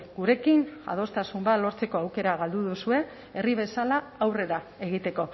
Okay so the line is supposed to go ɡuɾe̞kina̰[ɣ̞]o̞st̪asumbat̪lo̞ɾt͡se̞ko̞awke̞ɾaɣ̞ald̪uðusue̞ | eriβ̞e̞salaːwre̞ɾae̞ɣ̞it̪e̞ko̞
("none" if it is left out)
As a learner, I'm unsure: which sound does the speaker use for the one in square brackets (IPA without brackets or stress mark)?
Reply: ð̞